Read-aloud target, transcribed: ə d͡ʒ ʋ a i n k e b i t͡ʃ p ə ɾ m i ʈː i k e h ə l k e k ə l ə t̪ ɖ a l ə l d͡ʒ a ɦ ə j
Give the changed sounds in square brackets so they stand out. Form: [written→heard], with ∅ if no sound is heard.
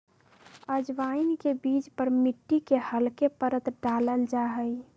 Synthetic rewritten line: ə d͡ʒ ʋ a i n k e b i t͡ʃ p ə ɾ m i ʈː i k e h ə l k e [k→p] ə [l→ɾ] ə t̪ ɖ a l ə l d͡ʒ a ɦ ə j

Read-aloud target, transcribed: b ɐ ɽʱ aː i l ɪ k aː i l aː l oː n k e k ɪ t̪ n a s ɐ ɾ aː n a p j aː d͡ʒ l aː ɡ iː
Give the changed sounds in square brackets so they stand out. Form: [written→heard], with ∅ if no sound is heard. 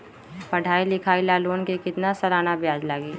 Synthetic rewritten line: [b→p] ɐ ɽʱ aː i l ɪ [k→kʰ] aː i l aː l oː n k e k ɪ t̪ n a s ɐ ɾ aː n a [p→b] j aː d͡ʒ l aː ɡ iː

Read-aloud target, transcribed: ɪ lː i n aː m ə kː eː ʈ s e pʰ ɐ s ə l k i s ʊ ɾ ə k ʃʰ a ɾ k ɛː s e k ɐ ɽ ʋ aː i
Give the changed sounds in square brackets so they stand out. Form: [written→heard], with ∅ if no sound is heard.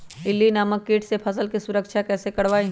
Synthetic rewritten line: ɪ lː i n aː m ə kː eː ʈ s e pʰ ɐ s ə l k i s ʊ ɾ ə k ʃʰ a [ɾ→∅] k ɛː s e k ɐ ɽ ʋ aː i

